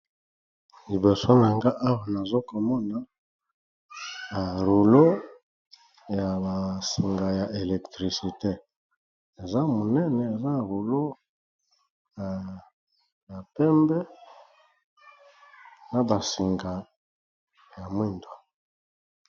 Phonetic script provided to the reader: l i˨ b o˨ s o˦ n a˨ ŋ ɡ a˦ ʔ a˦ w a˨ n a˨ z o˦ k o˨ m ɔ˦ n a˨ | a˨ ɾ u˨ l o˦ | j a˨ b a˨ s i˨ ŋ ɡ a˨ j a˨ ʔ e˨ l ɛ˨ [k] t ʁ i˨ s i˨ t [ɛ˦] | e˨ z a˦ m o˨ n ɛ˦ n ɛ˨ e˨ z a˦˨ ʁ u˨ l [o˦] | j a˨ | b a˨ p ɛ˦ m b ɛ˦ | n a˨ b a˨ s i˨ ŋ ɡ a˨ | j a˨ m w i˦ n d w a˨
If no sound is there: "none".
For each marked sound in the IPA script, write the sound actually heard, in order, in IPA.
k, e˦, o˦

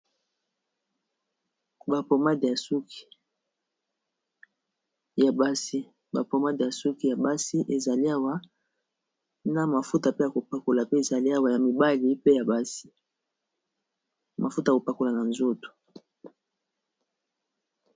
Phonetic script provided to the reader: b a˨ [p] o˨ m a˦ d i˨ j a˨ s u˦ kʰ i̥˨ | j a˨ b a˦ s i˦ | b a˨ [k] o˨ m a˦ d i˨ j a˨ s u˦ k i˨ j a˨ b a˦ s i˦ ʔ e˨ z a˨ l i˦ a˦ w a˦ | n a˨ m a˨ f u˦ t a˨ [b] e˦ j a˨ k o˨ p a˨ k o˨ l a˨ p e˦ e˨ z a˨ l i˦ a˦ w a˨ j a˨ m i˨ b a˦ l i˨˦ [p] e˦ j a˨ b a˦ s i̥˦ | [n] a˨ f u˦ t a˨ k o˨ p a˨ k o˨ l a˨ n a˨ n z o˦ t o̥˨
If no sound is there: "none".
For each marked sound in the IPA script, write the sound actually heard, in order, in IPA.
p, p, p, p, m

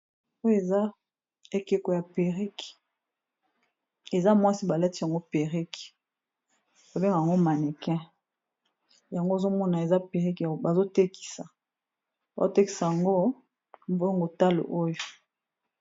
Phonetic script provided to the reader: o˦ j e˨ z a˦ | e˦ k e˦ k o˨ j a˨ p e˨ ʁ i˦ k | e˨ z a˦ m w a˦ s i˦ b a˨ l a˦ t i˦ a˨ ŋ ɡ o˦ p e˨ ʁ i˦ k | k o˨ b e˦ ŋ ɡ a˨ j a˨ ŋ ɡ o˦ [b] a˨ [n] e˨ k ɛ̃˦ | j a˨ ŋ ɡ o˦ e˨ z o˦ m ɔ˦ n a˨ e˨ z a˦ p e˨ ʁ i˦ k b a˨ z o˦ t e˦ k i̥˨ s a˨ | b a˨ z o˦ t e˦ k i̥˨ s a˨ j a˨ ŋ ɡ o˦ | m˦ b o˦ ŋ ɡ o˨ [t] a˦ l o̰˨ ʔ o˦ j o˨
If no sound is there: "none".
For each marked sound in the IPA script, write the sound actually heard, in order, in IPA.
m, n, t

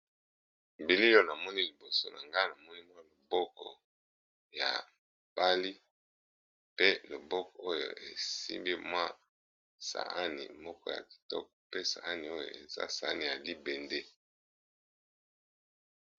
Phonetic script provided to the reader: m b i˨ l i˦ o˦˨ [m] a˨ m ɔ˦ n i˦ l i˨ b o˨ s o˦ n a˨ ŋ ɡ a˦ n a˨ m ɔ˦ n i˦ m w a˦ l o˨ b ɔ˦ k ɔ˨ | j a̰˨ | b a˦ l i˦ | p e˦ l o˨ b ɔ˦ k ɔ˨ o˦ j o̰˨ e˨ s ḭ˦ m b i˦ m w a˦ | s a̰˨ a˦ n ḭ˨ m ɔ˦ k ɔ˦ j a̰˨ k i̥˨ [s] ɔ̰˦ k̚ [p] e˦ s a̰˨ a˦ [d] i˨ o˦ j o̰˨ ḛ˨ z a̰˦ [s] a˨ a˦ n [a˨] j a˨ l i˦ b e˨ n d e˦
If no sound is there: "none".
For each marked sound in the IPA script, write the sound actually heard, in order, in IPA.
n, t, p, n, s, i˨

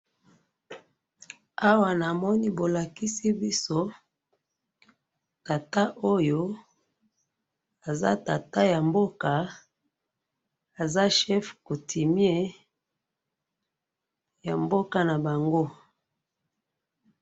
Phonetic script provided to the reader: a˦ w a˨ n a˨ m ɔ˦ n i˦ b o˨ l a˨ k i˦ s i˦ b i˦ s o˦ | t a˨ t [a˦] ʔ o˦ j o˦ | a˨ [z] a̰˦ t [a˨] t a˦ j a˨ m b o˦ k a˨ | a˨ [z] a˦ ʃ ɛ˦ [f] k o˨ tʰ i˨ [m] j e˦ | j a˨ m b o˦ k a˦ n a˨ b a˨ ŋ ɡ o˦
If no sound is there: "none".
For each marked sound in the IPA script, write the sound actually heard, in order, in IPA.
a˦, z, a˨, z, f, m

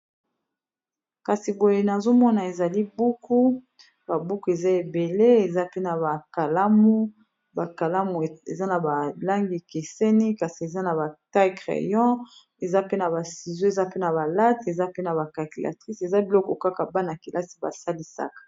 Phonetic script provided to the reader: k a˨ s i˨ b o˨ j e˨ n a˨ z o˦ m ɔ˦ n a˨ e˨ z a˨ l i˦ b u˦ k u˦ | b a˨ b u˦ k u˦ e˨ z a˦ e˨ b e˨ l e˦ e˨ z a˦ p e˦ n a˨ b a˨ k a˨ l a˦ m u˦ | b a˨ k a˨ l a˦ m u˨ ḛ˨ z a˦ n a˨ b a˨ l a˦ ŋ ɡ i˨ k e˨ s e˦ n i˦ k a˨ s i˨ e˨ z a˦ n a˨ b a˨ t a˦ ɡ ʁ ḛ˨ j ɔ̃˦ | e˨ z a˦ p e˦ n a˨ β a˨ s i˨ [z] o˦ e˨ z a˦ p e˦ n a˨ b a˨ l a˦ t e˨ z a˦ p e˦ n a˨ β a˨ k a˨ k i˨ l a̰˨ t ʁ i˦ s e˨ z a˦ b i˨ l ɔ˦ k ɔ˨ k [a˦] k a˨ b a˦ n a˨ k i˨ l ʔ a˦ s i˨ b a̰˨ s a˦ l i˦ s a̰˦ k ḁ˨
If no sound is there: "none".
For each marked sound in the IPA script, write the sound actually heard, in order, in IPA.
z, a˦

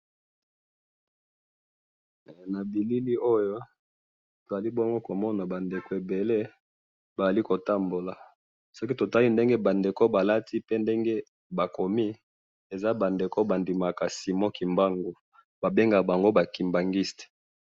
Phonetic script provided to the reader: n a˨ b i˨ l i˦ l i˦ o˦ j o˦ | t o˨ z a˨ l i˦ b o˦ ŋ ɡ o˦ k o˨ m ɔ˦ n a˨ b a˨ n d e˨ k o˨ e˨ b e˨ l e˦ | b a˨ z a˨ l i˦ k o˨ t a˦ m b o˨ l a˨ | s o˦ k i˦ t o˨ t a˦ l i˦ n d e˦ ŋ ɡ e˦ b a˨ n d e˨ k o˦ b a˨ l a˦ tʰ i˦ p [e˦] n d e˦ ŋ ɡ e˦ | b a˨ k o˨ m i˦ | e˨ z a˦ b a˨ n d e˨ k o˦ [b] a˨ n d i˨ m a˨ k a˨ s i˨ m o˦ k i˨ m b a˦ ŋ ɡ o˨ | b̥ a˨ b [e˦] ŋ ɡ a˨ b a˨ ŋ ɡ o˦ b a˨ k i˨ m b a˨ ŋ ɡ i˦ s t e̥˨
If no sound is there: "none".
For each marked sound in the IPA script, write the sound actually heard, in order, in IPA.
e˦, b, e˦

